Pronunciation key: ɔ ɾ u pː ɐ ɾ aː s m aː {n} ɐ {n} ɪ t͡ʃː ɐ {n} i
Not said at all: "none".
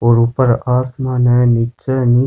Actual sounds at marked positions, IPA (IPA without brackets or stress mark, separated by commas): n, n, n